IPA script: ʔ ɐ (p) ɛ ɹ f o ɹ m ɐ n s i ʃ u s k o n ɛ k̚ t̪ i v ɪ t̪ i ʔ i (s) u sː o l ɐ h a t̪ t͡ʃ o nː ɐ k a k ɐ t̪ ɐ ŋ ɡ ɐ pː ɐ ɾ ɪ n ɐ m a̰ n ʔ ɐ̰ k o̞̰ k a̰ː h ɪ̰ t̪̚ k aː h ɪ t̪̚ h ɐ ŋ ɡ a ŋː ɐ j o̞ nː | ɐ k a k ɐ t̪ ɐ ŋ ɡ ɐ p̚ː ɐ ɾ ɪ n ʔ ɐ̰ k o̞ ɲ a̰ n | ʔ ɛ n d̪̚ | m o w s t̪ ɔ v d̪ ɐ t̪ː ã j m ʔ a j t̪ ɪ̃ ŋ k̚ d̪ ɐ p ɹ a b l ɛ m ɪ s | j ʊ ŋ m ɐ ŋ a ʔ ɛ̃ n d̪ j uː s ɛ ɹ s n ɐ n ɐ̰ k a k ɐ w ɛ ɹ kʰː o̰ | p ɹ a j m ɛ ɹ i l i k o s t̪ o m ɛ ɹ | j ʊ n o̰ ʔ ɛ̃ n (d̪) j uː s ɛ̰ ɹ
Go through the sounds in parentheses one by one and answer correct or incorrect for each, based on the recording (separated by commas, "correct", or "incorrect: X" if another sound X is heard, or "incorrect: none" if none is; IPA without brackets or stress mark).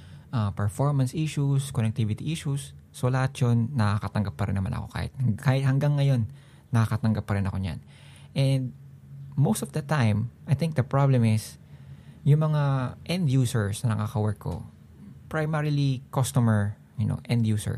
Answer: correct, incorrect: ʃ, correct